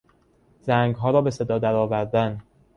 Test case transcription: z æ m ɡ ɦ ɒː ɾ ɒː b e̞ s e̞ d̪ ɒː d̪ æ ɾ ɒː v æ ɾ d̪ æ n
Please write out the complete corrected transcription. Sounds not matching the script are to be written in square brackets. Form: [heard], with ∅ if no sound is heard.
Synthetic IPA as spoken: z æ [ŋ] ɡ ɦ ɒː ɾ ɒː b e̞ s e̞ d̪ ɒː d̪ æ ɾ ɒː v æ ɾ d̪ æ n

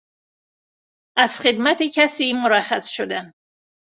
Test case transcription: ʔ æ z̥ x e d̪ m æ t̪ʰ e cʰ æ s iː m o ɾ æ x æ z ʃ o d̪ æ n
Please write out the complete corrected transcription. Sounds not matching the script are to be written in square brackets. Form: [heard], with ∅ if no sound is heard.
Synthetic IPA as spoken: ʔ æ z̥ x e d̪ m æ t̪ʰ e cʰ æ s iː m o ɾ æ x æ [s] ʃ o d̪ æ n

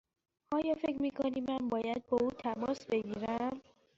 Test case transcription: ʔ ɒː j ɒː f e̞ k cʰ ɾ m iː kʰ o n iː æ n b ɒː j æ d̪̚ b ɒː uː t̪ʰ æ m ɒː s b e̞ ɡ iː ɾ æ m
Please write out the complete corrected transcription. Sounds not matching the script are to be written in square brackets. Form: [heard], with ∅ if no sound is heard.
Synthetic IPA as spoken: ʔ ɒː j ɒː f e̞ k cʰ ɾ m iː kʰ o n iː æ n b ɒː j æ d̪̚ b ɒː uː t̪ʰ æ m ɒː s b e̞ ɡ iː ɾ æ m

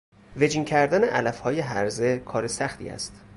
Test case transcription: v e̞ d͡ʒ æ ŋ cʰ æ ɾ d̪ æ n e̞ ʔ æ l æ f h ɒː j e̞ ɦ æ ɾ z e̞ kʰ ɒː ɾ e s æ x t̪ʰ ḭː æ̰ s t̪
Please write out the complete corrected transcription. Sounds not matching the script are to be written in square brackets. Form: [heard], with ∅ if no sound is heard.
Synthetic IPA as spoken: v e̞ d͡ʒ [i] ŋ cʰ æ ɾ d̪ æ n e̞ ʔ æ l æ f h ɒː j e̞ ɦ æ ɾ z e̞ kʰ ɒː ɾ e s æ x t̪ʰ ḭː æ̰ s t̪

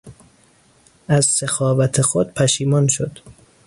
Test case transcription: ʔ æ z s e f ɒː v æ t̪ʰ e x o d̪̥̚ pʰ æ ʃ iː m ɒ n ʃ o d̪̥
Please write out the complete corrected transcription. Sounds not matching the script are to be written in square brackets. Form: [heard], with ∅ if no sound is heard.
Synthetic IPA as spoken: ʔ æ z s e [x] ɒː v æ t̪ʰ e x o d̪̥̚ pʰ æ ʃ iː m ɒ n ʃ o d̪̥

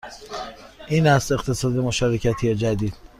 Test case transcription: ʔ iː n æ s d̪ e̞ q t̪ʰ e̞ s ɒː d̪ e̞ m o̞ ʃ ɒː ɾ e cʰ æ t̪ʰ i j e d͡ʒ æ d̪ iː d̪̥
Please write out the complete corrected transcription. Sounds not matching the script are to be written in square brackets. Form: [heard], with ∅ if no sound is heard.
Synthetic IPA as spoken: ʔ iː n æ s [t̪] e̞ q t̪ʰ e̞ s ɒː d̪ e̞ m o̞ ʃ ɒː ɾ e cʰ æ t̪ʰ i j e d͡ʒ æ d̪ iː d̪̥

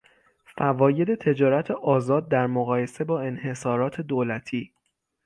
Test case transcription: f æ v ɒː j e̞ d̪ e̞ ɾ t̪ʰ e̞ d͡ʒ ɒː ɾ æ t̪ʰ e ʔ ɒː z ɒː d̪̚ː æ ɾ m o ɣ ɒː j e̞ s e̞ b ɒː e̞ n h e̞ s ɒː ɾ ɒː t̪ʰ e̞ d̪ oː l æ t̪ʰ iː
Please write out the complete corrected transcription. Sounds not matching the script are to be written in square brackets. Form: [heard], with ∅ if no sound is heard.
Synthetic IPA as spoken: f æ v ɒː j e̞ d̪ e̞ [∅] t̪ʰ e̞ d͡ʒ ɒː ɾ æ t̪ʰ e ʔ ɒː z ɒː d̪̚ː æ ɾ m o ɣ ɒː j e̞ s e̞ b ɒː e̞ n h e̞ s ɒː ɾ ɒː t̪ʰ e̞ d̪ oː l æ t̪ʰ iː

